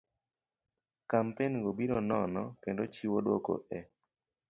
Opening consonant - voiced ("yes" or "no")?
no